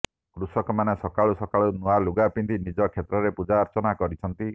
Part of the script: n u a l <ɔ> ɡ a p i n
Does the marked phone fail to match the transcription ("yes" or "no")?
yes